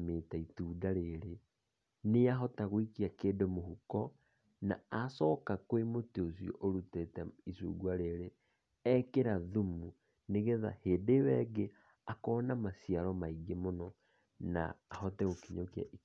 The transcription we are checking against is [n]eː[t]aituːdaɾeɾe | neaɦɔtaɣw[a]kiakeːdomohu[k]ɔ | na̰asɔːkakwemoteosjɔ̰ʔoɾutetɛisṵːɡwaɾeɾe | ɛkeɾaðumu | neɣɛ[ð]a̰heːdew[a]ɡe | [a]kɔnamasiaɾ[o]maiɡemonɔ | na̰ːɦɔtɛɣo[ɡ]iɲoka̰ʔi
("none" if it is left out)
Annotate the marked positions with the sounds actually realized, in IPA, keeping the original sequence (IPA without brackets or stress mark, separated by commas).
m, t, i, k, ð, ɛ, a, ɔ, k